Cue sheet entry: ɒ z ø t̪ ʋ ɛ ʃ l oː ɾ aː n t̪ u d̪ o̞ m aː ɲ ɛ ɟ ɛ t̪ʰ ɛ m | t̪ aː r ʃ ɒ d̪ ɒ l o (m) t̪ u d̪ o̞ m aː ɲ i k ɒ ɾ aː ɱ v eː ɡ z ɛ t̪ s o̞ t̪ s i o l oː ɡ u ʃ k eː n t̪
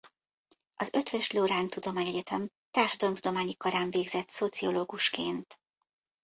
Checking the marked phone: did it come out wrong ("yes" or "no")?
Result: no